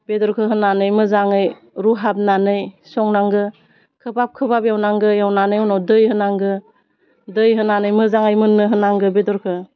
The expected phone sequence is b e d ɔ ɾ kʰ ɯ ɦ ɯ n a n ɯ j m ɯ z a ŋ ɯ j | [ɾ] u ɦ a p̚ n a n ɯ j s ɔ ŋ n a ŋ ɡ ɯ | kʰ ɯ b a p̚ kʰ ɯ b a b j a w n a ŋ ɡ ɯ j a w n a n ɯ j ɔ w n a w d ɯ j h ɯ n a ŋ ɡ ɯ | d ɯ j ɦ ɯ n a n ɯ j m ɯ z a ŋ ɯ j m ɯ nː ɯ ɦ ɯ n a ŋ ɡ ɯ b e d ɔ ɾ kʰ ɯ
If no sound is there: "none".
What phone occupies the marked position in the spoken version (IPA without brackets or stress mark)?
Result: ɾ